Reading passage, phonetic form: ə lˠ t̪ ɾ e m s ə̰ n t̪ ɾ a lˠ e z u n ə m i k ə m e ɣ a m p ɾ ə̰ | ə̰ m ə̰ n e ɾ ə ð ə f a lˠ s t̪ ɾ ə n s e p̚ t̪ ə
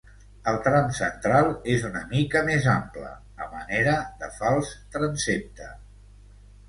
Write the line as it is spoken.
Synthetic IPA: ə lˠ t̪ ɾ a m s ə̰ n t̪ ɾ a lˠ e z u n ə m i k ə m e z a m p l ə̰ | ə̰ m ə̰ n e ɾ ə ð ə f a lˠ s t̪ ɾ ə n s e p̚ t̪ ə

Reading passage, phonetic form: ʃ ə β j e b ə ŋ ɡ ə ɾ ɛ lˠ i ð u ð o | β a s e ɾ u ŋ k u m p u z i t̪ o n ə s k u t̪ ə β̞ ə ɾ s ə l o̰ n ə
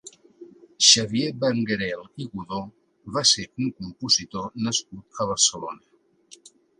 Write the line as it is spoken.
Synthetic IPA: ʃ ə β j e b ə ŋ ɡ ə ɾ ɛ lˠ i ɣ u ð o | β a s e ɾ u ŋ k u m p u z i t̪ o n ə s k u t̪ ə β̞ ə ɾ s ə l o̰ n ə

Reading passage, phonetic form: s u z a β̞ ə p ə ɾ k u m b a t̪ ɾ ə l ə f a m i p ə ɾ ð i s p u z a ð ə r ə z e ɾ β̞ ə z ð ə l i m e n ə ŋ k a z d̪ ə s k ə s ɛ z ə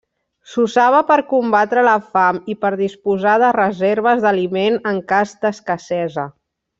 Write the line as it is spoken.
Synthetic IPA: s u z a β̞ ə p ə ɾ k u m b a t̪ ɾ ə l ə f a m i p ə ɾ ð i s p u z a ð ə r ə z e ɾ β̞ ə z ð ə l i m e n ə ŋ k a z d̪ ə s k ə s ɛ z ə

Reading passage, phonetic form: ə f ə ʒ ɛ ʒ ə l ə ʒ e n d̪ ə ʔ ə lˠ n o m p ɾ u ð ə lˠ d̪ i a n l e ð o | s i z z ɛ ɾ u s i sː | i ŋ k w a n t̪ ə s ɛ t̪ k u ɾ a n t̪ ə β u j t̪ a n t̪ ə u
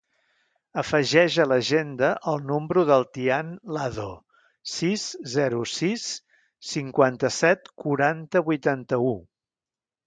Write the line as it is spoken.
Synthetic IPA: ə f ə ʒ ɛ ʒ ə l ə ʒ e n d̪ ə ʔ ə lˠ n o m b ɾ u ð ə lˠ t̪ i a n l a ð o | s i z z ɛ ɾ u s i sː | i ŋ k w a n t̪ ə s ɛ t̪ k u ɾ a n t̪ ə β u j t̪ a n t̪ ə u

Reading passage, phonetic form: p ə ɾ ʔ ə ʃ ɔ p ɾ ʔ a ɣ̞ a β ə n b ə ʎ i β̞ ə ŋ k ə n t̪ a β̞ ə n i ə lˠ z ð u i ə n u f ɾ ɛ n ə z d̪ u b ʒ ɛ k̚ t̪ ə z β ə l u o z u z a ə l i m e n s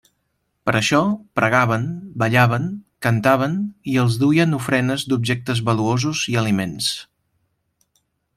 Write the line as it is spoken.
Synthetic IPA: p ə ɾ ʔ ə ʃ ɔ p ɾ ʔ ə ɣ̞ a β ə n b ə ʎ a β̞ ə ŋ k ə n t̪ a β̞ ə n i ə lˠ z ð u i ə n u f ɾ ɛ n ə z d̪ u b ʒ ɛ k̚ t̪ ə z β ə l u o z u z i ə l i m e n s

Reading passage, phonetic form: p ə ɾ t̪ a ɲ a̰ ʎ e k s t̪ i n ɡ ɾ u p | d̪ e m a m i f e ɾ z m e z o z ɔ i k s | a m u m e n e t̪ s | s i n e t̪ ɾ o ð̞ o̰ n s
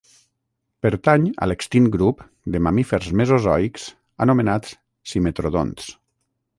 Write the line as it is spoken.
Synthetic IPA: p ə ɾ t̪ a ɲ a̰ l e k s t̪ i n ɡ ɾ u p | d̪ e m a m i f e ɾ z m e z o z ɔ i k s | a n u m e n a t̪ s | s i m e t̪ ɾ o ð̞ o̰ n s

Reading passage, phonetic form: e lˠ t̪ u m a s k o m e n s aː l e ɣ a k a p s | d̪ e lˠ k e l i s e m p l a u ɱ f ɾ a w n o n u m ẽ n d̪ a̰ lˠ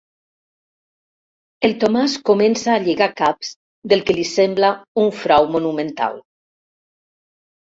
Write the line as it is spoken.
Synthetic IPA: e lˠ t̪ o m a s k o m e n s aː ʎ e ɣ a k a p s | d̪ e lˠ k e l i s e m b l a u ɱ f ɾ a w m o n u m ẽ n t̪ a̰ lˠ

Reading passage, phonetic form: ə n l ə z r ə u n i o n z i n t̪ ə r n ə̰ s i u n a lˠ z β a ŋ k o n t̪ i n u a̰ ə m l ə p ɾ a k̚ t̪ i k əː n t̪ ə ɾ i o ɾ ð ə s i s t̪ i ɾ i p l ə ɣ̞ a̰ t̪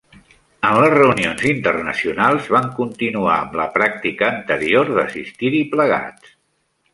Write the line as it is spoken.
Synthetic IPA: ə n l ə z r ə u n i o n z i n t̪ ə r n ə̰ s i u n a lˠ z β a ŋ k u n t̪ i n u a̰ ə m l ə p ɾ a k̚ t̪ i k əː n t̪ ə ɾ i o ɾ ð ə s i s t̪ i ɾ i p l ə ɣ̞ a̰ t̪

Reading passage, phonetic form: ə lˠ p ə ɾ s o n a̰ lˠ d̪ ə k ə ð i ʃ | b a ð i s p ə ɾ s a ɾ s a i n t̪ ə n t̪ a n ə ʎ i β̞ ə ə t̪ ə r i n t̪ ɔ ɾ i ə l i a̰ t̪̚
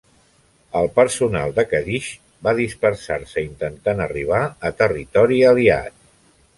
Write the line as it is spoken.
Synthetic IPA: ə lˠ p ə ɾ s u n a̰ lˠ d̪ ə k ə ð i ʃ | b a ð i s p ə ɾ s a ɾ s ə i n t̪ ə n t̪ a n ə r i β̞ a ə t̪ ə r i t̪ ɔ ɾ i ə l i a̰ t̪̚

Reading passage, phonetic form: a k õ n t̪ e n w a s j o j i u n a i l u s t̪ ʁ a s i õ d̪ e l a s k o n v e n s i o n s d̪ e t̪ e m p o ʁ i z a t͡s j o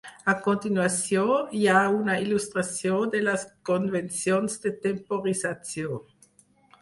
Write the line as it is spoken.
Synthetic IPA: a k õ n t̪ i n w a s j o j a u n a i l u s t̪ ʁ a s j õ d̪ e l a s k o n v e n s j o n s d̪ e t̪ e m p o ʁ i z a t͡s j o

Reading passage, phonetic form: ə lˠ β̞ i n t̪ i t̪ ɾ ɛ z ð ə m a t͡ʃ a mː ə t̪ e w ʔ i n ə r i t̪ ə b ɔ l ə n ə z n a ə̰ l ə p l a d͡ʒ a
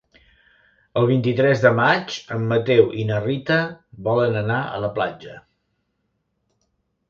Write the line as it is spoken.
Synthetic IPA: ə lˠ β̞ i n t̪ i t̪ ɾ ɛ z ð ə m a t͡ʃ ə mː ə t̪ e w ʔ i n ə r i t̪ ə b ɔ l ə n ə n a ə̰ l ə p l a d͡ʒ ə

